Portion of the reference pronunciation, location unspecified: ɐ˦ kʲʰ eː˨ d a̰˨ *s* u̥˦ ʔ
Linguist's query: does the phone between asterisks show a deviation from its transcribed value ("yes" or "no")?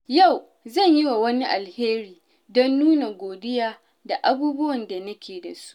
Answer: no